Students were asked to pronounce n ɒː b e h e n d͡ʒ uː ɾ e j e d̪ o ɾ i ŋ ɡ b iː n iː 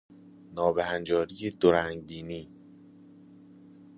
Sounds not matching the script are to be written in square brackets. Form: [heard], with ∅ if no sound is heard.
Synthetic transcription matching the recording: n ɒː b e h [æ] n d͡ʒ [ɒː] ɾ [i] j e d̪ o ɾ [æ] ŋ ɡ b iː n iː